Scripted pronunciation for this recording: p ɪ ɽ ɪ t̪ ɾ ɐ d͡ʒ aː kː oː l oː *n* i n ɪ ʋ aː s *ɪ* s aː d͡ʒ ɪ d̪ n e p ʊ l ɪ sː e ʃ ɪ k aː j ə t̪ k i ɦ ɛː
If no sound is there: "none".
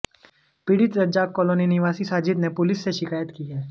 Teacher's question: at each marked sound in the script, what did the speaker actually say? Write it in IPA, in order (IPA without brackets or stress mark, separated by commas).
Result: n, i